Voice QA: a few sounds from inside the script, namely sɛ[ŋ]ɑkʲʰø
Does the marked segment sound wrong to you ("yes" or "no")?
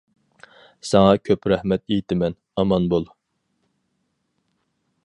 no